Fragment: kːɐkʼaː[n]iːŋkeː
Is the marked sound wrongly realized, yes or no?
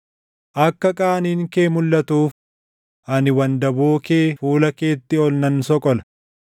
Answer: no